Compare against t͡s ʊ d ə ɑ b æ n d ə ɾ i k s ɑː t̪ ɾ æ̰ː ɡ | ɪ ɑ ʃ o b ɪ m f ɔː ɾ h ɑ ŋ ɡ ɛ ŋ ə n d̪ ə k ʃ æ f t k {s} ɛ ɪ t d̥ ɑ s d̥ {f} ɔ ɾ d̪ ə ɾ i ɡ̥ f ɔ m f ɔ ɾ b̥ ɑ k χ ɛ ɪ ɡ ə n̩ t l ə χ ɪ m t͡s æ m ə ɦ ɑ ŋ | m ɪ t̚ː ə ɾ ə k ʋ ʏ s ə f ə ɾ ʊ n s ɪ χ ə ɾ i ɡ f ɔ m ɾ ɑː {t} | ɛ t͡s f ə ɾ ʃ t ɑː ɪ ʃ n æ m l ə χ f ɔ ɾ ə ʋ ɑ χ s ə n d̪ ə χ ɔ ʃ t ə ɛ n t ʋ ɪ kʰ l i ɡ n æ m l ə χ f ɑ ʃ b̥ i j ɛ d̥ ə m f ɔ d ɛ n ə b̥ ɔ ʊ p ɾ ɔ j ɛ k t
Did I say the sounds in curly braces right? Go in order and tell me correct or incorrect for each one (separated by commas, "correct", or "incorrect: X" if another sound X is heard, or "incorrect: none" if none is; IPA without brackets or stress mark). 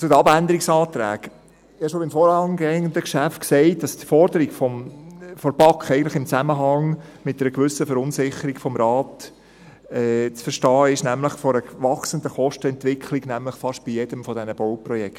correct, correct, correct